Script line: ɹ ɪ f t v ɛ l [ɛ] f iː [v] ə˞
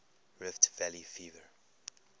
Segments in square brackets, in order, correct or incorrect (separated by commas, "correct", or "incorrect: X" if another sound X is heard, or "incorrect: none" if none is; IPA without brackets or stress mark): incorrect: i, correct